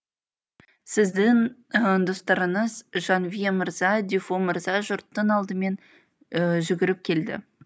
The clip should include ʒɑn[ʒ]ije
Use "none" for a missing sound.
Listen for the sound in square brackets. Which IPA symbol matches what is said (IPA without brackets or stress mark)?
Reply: v